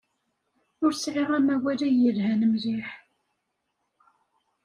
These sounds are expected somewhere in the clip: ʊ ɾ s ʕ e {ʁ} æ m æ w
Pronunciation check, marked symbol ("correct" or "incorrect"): correct